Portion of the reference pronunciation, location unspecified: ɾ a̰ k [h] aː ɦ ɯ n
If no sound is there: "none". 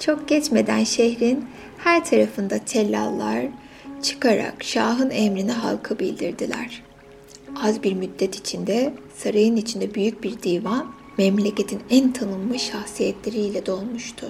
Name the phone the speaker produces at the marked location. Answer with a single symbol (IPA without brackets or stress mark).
ʃ